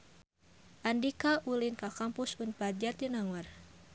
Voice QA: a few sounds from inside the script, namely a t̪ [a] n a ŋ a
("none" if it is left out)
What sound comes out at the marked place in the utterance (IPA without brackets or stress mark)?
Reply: i